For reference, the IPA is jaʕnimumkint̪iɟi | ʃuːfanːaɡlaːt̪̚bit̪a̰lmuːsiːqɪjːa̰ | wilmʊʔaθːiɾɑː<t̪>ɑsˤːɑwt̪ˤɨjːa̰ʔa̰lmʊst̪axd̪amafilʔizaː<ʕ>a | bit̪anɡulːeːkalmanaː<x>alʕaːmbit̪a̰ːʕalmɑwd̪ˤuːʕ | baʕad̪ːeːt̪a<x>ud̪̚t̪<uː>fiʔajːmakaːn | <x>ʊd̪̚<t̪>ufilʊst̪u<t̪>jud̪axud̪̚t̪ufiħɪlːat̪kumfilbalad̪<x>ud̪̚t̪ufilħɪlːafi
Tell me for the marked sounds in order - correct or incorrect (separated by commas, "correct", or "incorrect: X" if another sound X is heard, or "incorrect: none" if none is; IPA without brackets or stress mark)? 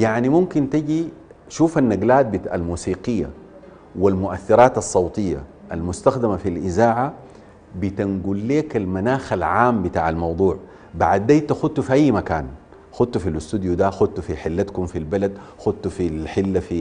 correct, correct, correct, correct, incorrect: u, correct, correct, incorrect: d̪, correct